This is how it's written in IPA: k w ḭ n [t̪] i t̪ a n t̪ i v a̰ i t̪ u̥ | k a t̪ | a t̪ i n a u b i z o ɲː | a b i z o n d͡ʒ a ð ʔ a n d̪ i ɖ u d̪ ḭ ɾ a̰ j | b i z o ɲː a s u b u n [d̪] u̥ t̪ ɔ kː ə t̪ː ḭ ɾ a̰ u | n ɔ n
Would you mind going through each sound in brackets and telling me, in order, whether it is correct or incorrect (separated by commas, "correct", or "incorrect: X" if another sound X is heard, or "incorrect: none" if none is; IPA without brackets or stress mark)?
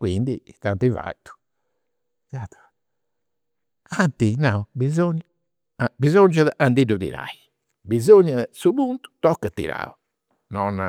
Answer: incorrect: d̪, incorrect: t̪